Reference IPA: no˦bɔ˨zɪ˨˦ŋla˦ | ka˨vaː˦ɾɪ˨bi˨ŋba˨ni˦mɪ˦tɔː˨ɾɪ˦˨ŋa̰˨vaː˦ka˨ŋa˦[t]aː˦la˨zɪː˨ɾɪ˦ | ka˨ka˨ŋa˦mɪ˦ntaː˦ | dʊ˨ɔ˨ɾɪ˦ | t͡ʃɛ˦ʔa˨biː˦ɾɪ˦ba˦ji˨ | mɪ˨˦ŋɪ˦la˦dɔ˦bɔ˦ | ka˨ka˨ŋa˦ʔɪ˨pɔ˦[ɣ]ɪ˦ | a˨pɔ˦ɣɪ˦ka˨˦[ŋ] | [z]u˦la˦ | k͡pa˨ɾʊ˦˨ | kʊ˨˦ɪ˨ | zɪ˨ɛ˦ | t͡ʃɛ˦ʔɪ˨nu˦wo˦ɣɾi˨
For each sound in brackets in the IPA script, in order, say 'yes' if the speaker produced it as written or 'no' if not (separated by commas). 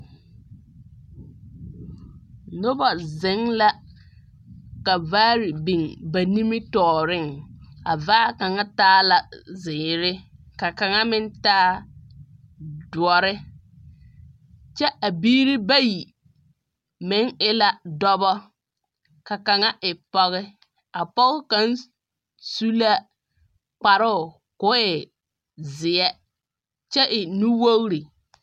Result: yes, yes, no, no